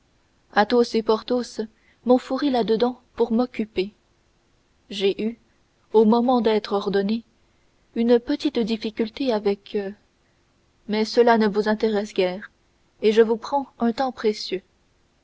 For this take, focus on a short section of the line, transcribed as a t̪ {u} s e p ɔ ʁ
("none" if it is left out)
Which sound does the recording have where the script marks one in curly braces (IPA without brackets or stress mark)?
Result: o